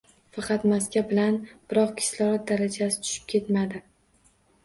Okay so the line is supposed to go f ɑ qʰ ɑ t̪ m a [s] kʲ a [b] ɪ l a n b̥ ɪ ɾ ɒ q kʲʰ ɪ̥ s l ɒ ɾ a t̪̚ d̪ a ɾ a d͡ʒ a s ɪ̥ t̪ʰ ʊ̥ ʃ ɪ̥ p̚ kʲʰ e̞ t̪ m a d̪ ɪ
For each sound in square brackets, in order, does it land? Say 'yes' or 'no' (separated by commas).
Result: yes, yes